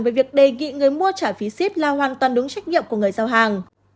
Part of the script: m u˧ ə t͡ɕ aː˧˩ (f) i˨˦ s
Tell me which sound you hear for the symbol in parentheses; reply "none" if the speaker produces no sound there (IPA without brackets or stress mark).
f